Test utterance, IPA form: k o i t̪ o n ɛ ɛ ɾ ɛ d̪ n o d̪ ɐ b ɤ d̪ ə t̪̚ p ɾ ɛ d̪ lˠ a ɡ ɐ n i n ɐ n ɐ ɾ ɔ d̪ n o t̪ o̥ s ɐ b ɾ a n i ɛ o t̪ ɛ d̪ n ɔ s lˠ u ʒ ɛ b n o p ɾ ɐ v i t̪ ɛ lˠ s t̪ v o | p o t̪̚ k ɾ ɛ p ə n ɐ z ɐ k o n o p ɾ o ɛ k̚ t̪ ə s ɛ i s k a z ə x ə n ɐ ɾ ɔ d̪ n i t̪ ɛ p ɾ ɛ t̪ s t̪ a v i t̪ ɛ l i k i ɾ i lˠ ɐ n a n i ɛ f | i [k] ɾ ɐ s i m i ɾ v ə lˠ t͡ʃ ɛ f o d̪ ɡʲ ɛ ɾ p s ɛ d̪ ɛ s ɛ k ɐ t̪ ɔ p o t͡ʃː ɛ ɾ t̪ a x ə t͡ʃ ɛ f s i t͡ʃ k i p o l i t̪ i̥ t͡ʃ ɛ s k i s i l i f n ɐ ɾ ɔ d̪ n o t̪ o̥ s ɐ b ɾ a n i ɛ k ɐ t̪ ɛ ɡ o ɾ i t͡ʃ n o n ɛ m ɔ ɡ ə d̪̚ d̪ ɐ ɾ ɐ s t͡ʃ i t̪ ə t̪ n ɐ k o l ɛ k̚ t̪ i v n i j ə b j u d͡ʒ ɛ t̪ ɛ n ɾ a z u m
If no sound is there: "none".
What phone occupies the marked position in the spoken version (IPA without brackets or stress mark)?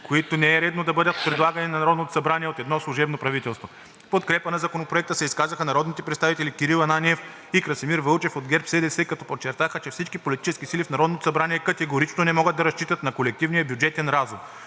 k